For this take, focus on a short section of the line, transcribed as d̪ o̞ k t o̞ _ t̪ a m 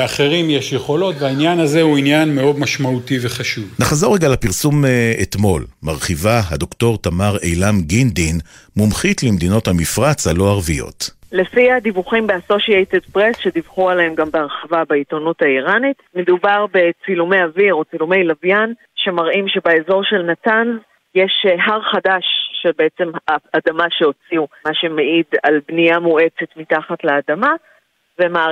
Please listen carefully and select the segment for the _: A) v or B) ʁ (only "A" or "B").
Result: B